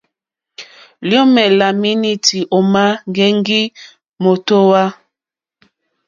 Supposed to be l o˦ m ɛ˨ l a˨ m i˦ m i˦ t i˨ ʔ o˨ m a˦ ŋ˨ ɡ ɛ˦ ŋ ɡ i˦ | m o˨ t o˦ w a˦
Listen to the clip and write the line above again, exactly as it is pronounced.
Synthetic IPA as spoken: l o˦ m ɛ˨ l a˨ m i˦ n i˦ t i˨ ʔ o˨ m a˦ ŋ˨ ɡ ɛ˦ ŋ ɡ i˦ | m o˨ t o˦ w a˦